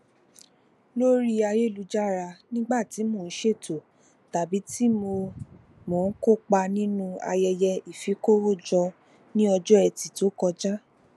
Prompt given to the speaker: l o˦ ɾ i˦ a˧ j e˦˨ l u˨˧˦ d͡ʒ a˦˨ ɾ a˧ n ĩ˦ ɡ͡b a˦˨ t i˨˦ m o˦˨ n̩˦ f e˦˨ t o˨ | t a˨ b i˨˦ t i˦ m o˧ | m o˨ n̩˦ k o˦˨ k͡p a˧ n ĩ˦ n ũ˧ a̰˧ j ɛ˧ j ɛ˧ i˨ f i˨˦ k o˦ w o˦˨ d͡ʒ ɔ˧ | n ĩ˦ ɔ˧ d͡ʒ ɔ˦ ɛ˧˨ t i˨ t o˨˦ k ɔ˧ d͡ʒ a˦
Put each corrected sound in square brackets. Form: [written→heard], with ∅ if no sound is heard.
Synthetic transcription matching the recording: l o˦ ɾ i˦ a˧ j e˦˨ l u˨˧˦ d͡ʒ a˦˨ ɾ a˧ n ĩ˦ ɡ͡b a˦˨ t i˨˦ m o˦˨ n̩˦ [f→ʃ] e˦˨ t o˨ | t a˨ b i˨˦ t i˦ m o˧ | m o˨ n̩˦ k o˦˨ k͡p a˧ n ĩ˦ n ũ˧ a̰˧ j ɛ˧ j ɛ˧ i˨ f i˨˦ k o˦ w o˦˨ d͡ʒ ɔ˧ | n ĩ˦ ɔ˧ d͡ʒ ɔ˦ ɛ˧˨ t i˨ t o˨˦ k ɔ˧ d͡ʒ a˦

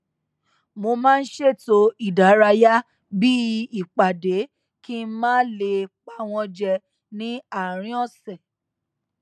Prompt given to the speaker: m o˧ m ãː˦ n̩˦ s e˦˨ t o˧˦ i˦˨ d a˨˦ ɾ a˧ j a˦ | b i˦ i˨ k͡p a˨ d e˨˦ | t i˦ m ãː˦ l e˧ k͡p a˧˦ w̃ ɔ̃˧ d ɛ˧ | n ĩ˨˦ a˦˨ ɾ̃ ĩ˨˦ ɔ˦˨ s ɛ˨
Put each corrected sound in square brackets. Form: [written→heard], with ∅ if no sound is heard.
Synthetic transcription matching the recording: m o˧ m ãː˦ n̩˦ [s→ʃ] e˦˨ t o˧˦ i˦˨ d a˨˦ ɾ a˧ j a˦ | b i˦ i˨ k͡p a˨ d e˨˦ | [t→k] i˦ m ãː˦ l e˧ k͡p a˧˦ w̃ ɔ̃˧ [d→d͡ʒ] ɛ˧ | n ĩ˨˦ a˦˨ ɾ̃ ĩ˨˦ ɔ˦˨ s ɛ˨

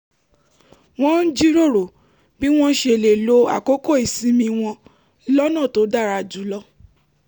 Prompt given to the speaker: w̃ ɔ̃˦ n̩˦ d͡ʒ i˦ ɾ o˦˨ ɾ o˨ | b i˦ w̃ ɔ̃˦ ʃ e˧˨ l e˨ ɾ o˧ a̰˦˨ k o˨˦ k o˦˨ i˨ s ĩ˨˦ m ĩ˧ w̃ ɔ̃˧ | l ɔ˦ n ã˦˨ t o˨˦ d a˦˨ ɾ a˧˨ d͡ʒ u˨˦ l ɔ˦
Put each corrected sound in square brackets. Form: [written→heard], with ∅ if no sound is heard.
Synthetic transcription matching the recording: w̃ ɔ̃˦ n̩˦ d͡ʒ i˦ ɾ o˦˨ ɾ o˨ | b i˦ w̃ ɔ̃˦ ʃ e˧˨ l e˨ [ɾ→l] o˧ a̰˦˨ k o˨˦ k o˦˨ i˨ s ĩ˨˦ m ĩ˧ w̃ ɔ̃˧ | l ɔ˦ n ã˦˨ t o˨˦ d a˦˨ ɾ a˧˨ d͡ʒ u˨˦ l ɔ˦

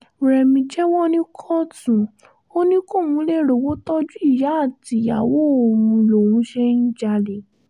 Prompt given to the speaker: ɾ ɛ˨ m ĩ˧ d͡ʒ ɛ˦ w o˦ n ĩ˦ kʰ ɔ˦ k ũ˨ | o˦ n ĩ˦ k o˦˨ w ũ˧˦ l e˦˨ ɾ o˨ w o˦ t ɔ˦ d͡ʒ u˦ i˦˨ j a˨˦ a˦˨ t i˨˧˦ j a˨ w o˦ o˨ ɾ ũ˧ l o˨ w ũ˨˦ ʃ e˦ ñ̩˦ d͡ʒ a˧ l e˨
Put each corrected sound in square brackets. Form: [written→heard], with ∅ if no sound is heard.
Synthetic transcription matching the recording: ɾ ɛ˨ m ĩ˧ d͡ʒ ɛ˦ w [o˦→ɔ˦] n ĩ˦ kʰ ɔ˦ [k→t] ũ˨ | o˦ n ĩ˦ k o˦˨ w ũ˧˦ l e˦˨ ɾ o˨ w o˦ t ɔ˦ d͡ʒ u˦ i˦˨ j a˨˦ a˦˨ t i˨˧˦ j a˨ w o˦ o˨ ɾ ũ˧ l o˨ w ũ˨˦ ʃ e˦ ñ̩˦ d͡ʒ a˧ l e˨

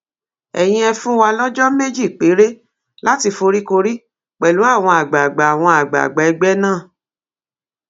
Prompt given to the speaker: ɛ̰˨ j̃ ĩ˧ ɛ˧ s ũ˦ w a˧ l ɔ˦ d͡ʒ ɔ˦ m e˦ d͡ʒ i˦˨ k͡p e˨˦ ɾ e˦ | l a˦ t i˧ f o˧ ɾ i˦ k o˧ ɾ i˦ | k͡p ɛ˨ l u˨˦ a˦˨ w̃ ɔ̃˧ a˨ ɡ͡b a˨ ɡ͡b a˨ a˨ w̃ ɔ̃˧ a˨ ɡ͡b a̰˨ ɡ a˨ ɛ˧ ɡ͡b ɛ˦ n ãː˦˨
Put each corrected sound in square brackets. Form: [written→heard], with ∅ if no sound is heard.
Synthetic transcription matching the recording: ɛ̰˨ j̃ ĩ˧ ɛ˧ [s→f] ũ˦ w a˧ l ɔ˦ d͡ʒ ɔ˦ m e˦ d͡ʒ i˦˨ k͡p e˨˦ ɾ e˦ | l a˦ t i˧ f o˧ ɾ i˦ k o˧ ɾ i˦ | k͡p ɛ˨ l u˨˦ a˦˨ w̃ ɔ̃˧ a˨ ɡ͡b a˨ ɡ͡b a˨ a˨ w̃ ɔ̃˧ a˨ ɡ͡b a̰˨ [ɡ→ɡ͡b] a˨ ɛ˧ ɡ͡b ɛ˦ n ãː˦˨

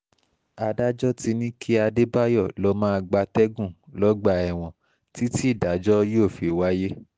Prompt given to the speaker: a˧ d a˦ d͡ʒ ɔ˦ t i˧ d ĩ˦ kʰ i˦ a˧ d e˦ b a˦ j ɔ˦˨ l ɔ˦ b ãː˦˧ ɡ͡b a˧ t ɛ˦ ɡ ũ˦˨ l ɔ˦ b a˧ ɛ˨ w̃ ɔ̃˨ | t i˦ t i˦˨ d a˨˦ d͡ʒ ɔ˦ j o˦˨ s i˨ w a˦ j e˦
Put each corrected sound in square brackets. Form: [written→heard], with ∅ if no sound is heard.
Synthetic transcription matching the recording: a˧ d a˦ d͡ʒ ɔ˦ t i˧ [d→n] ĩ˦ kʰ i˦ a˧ d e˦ b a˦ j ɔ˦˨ l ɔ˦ [b→m] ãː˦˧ ɡ͡b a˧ t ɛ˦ ɡ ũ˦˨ l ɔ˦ [b→ɡ͡b] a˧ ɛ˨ w̃ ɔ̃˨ | t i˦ t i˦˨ d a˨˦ d͡ʒ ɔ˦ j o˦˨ [s→f] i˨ w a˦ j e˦

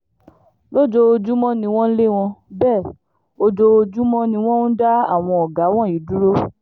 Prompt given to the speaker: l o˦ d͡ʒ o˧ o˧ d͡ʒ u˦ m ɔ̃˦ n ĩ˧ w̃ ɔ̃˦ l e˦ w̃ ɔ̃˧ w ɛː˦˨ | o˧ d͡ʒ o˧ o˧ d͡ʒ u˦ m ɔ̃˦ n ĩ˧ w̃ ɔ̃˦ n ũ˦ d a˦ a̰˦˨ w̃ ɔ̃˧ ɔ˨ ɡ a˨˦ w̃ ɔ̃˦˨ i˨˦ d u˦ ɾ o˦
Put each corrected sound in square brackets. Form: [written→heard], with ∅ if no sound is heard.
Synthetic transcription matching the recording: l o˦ d͡ʒ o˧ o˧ d͡ʒ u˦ m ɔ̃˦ n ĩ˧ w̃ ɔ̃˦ l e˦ w̃ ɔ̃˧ [w→b] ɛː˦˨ | o˧ d͡ʒ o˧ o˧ d͡ʒ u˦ m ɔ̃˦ n ĩ˧ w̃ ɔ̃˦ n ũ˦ d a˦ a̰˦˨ w̃ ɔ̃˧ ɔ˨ ɡ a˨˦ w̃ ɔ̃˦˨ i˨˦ d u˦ ɾ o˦

